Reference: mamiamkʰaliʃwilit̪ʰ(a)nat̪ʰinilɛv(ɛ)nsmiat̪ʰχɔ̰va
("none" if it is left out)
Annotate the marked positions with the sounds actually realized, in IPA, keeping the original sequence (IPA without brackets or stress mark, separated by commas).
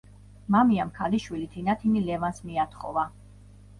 i, a